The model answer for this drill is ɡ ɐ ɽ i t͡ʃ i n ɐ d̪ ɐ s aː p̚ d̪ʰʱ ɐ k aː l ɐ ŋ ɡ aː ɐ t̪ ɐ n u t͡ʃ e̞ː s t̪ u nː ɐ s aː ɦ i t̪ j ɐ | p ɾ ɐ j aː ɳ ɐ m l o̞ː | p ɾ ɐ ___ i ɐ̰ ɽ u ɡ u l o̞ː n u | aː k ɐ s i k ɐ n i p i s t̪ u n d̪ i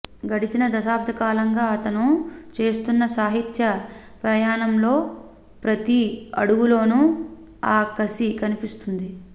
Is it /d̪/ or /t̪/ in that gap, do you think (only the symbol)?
t̪